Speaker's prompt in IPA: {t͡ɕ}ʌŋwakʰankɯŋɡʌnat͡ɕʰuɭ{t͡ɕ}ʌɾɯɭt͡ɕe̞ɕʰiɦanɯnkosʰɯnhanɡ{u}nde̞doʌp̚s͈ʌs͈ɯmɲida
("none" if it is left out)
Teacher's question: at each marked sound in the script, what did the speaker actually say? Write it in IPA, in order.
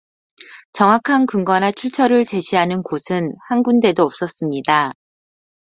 t͡ɕ, t͡ɕʰ, u

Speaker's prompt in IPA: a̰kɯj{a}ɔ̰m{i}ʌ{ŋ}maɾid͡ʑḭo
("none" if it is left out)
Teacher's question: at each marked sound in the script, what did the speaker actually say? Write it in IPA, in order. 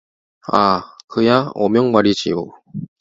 a, j, ŋ

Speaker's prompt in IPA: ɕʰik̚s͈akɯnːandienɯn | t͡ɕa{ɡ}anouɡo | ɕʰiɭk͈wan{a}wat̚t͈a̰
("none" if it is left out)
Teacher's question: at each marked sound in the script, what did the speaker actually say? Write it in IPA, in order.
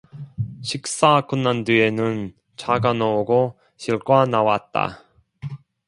ɡ, a

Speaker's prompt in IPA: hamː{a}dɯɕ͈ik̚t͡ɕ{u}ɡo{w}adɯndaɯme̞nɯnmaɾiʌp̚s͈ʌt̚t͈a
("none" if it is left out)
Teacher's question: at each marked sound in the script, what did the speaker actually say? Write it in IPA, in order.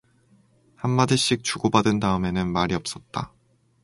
a, u, b

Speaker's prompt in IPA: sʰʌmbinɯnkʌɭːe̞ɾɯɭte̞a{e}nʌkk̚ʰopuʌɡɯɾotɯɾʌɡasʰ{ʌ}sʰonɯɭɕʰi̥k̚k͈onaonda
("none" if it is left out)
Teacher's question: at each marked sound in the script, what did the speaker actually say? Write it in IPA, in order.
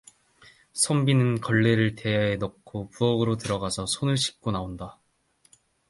e, ʌ

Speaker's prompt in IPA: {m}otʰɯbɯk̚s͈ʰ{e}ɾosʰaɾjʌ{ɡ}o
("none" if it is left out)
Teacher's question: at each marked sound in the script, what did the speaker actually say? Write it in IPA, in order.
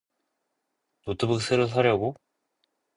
n, e, ɡ

